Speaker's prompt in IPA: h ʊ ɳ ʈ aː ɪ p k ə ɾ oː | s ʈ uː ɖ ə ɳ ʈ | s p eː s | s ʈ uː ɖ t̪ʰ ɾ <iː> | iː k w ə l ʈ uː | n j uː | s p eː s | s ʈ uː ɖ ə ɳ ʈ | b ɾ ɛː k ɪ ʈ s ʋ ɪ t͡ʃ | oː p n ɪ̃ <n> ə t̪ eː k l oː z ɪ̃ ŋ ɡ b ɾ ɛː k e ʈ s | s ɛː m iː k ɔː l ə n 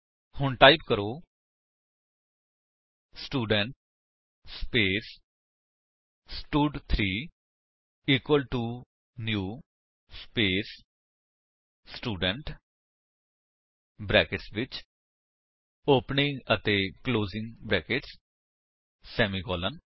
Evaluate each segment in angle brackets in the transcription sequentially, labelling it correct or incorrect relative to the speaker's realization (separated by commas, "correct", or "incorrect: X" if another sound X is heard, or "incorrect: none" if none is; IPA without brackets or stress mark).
correct, incorrect: ŋ